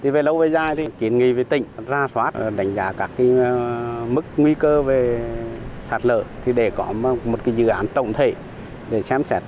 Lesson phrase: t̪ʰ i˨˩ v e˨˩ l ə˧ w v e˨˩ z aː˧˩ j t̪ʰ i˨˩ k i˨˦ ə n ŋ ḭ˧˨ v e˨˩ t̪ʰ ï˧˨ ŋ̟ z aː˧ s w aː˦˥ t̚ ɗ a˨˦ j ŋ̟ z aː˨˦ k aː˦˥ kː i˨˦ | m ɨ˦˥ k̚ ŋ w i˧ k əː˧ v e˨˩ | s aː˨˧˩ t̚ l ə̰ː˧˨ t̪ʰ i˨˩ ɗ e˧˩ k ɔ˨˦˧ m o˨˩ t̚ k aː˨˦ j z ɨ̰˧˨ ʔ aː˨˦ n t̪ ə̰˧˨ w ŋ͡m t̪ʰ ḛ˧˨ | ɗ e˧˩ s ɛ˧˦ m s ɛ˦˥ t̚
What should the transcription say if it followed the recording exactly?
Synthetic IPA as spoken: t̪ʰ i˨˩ v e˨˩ l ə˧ w v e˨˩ z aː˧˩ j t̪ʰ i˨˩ k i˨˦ ə n ŋ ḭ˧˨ v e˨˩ t̪ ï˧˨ ŋ̟ z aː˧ s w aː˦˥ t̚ ɗ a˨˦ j ŋ̟ z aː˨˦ k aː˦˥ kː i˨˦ | m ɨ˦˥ k̚ ŋ w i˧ k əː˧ v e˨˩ | s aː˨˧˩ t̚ l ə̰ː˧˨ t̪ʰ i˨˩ ɗ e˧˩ k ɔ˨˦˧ m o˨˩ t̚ k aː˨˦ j z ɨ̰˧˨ ʔ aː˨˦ n t̪ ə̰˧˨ w ŋ͡m t̪ʰ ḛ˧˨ | ɗ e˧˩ s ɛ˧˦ m s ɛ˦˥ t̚